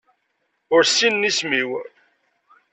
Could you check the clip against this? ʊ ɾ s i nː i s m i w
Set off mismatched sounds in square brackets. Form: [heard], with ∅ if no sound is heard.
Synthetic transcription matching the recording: ʊ ɾ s i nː i s m i w